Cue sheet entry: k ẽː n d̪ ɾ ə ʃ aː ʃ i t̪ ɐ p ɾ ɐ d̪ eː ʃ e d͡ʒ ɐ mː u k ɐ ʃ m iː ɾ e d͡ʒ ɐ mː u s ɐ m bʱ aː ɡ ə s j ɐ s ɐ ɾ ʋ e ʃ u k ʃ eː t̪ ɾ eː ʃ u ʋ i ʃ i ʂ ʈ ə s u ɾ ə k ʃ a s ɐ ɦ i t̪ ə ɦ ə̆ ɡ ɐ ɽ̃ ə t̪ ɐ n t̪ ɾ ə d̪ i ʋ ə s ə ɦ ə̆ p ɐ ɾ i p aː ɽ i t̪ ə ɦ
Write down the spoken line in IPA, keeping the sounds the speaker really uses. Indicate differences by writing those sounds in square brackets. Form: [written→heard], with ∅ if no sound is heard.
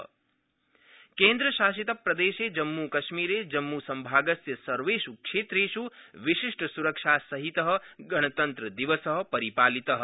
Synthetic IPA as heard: k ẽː n d̪ ɾ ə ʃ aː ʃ i t̪ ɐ p ɾ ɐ d̪ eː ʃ e d͡ʒ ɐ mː u k ɐ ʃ m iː ɾ e d͡ʒ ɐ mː u s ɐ m bʱ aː ɡ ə s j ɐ s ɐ ɾ ʋ e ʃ u k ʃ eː t̪ ɾ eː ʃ u ʋ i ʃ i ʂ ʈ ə s u ɾ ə k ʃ a s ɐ ɦ i t̪ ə ɦ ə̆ ɡ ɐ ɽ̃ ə t̪ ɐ n t̪ ɾ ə d̪ i ʋ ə s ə ɦ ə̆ p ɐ ɾ i p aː [ɽ→l] i t̪ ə ɦ